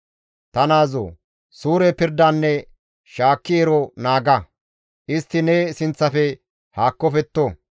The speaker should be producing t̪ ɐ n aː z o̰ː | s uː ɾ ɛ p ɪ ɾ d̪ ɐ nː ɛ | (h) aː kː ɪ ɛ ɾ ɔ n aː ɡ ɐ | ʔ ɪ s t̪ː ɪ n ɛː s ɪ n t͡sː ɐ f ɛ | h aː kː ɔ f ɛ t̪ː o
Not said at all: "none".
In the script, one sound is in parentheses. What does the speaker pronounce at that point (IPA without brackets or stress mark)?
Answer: ʃ